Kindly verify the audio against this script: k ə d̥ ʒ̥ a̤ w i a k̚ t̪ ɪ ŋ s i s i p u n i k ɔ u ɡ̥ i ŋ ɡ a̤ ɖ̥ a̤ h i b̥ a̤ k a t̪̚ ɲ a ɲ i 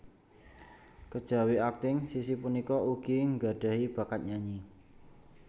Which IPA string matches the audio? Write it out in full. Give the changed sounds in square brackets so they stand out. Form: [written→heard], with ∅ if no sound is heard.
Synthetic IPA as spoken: k ə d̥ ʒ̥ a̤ w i a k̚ t̪ ɪ ŋ s i s i p u n i k ɔ u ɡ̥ i ŋ ɡ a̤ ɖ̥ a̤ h i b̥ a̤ k a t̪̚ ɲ a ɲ i